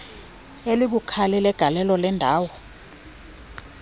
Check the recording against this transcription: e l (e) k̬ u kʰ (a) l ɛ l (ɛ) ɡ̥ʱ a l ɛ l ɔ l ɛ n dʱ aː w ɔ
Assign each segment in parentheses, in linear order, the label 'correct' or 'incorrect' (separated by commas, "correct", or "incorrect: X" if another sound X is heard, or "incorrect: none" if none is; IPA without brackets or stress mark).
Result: incorrect: i, correct, correct